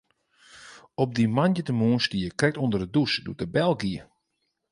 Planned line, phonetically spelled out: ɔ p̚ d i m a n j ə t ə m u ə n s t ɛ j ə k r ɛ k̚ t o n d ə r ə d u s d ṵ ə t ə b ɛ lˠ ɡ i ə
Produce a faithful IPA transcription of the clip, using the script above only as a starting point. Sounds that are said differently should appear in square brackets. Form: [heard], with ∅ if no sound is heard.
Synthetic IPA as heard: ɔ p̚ d i m a n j ə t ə m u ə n s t [i] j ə k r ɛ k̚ t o n d ə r ə d u s d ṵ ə t ə b ɛ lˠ ɡ i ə

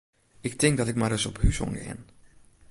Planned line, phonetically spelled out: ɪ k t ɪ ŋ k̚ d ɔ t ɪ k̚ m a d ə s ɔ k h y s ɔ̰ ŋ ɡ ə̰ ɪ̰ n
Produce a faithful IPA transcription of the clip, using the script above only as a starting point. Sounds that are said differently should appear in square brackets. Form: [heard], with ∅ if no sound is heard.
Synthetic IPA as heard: ɪ k t ɪ ŋ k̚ d ɔ t ɪ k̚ m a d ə s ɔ [p] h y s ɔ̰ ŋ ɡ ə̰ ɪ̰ n

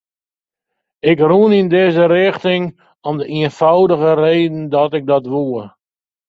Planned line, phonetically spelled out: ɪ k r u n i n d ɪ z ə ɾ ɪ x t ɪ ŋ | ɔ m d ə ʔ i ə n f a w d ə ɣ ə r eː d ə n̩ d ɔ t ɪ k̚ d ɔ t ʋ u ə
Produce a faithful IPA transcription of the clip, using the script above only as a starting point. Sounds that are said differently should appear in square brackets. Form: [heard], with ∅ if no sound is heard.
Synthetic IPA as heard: ɪ k r u n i n d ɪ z ə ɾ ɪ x t ɪ ŋ | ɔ m d ə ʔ i ə n f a w d ə ɣ ə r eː d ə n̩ d ɔ t ɪ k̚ d ɔ t ʋ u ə

